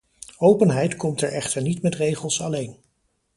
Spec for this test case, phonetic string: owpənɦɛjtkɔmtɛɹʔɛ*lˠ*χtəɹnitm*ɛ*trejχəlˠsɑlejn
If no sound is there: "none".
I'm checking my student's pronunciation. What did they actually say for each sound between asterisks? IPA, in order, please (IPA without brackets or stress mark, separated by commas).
none, ɛ